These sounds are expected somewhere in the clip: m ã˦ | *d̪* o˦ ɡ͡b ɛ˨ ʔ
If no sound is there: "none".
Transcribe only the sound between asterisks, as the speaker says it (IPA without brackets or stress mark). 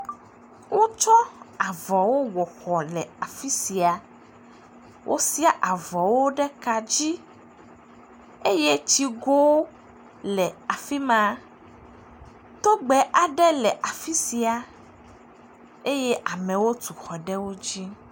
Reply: t̪